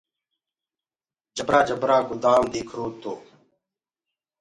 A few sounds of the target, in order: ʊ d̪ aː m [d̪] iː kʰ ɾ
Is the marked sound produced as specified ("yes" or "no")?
yes